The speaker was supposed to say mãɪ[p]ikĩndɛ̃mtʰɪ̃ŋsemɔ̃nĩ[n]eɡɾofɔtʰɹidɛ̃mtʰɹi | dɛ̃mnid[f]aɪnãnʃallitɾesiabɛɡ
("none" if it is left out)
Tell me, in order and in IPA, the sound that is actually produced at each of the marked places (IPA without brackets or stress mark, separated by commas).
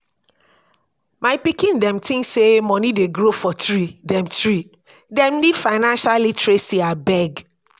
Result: p, d, f